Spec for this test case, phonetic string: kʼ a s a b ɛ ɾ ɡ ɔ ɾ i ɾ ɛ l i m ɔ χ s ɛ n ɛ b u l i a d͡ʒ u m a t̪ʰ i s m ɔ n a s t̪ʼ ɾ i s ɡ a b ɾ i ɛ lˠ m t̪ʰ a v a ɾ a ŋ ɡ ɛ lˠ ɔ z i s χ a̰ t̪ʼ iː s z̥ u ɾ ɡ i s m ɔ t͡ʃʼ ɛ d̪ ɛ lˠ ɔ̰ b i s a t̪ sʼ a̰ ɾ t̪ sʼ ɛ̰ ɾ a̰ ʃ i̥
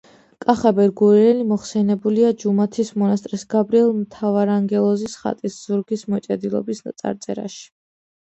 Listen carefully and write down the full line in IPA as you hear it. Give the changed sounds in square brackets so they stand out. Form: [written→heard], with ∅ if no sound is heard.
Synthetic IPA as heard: kʼ a [s→χ] a b ɛ ɾ ɡ [ɔ→u] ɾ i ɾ ɛ l i m ɔ χ s ɛ n ɛ b u l i a d͡ʒ u m a t̪ʰ i s m ɔ n a s t̪ʼ ɾ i s ɡ a b ɾ i ɛ lˠ m t̪ʰ a v a ɾ a ŋ ɡ ɛ lˠ ɔ z i s χ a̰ t̪ʼ [iː→i] s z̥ u ɾ ɡ i s m ɔ t͡ʃʼ ɛ d̪ [ɛ→i] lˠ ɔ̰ b i s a t̪ sʼ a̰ ɾ t̪ sʼ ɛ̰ ɾ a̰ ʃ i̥